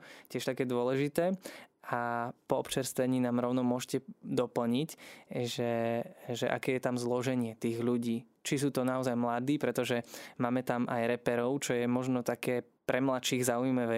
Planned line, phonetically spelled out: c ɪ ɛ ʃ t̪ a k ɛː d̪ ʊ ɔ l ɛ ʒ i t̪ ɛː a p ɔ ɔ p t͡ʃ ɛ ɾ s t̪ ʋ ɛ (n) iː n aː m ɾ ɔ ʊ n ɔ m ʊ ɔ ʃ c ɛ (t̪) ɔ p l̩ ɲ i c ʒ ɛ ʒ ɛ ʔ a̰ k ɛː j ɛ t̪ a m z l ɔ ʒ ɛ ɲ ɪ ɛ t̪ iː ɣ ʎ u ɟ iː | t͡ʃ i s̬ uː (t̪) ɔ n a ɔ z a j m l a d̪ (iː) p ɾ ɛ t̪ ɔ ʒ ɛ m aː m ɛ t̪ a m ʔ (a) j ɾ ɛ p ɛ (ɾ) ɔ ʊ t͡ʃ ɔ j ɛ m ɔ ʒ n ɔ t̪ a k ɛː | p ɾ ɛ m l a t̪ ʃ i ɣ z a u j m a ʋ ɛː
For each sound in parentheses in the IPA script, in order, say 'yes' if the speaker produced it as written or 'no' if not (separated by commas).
no, no, yes, yes, yes, yes